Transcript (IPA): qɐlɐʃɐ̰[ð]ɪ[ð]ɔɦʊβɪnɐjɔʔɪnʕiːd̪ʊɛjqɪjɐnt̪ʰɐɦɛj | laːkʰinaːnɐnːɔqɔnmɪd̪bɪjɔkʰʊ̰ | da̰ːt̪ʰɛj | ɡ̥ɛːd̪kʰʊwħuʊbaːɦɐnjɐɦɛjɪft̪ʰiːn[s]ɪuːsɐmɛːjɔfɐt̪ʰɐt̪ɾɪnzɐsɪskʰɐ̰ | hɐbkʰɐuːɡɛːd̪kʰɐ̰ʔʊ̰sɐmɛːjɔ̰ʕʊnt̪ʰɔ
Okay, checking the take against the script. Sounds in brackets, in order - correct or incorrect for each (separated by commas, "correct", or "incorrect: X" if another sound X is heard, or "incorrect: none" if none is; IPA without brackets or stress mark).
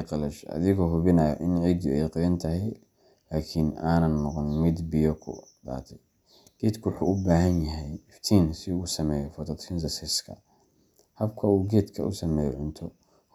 correct, incorrect: ɣ, correct